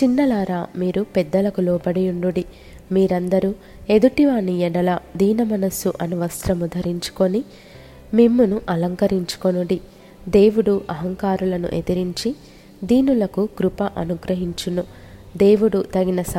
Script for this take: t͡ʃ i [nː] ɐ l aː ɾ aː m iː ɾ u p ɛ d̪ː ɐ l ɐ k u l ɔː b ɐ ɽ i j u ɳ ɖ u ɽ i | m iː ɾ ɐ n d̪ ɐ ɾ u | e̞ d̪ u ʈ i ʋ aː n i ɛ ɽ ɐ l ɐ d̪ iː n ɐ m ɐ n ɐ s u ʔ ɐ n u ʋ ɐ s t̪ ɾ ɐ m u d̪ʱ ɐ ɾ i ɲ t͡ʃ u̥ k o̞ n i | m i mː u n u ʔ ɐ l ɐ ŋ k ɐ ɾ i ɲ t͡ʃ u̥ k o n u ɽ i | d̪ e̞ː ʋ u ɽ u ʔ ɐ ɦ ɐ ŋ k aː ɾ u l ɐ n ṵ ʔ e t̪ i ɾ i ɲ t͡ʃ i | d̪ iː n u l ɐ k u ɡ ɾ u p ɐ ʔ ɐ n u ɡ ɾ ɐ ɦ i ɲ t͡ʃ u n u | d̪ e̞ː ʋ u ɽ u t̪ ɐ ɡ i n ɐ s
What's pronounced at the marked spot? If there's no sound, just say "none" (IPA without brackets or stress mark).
nː